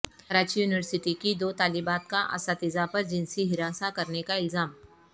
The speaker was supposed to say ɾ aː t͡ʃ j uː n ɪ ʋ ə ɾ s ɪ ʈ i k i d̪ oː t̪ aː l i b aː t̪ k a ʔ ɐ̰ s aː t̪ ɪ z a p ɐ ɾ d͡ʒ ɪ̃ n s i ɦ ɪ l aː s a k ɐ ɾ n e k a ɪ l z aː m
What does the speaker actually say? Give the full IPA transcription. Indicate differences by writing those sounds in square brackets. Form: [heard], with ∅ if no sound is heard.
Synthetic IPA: ɾ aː t͡ʃ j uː n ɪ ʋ ə ɾ s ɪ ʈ i k i d̪ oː t̪ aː l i b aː t̪ k a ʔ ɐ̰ s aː t̪ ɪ z a p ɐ ɾ d͡ʒ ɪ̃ n s i ɦ ɪ [ɾ] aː s a k ɐ ɾ n e k a ɪ l z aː m